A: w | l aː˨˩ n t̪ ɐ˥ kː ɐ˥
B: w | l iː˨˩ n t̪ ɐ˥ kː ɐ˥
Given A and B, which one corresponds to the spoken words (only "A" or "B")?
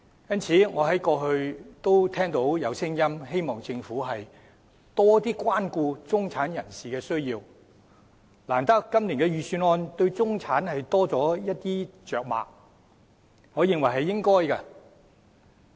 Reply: A